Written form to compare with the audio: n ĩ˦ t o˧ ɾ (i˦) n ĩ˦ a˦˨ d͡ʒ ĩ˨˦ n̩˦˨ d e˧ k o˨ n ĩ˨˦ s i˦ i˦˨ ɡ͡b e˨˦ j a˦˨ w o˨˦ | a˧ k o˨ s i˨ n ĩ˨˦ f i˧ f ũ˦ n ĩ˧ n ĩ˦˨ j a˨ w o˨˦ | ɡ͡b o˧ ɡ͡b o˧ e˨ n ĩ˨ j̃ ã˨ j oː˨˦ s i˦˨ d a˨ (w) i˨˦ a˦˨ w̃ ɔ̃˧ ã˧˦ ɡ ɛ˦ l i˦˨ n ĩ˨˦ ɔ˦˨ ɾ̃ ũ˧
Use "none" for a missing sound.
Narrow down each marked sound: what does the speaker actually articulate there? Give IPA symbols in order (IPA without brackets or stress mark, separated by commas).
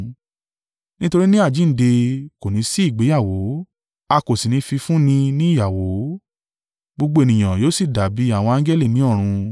i˦, b